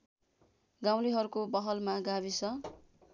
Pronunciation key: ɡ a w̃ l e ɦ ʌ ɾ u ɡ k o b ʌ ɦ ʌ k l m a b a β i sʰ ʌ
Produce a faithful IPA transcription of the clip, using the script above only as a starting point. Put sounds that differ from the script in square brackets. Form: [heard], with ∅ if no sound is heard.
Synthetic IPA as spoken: ɡ a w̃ l [i] ɦ ʌ ɾ u [∅] k o b ʌ ɦ ʌ [∅] l m a [ɡ] a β i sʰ ʌ